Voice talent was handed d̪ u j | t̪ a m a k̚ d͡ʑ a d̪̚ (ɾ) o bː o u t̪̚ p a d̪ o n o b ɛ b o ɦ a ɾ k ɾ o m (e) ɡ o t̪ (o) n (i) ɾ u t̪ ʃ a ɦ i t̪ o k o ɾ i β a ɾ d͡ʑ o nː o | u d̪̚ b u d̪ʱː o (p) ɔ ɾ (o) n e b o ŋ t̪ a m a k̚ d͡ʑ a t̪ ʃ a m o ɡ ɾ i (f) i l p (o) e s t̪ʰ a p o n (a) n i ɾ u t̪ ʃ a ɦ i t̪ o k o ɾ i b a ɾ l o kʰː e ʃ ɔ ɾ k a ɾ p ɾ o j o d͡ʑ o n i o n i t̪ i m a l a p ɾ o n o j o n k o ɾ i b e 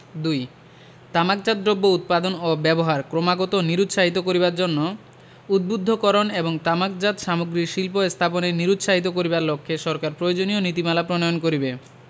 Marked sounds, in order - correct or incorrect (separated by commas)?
correct, incorrect, correct, correct, incorrect, correct, incorrect, correct, incorrect